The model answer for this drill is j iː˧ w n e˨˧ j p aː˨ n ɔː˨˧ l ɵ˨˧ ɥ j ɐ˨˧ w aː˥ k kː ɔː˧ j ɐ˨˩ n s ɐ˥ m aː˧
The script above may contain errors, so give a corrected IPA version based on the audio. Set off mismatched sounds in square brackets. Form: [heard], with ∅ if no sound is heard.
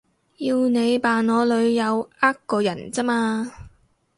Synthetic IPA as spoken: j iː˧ w n e˨˧ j p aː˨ n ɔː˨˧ l ɵ˨˧ ɥ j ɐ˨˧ w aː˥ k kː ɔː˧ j ɐ˨˩ n [t͡s] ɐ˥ m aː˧